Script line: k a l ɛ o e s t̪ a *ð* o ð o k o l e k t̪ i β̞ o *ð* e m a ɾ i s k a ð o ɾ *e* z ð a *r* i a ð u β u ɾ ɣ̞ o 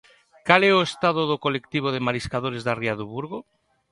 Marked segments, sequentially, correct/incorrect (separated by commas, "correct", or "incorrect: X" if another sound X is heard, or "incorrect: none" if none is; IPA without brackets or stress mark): correct, correct, correct, correct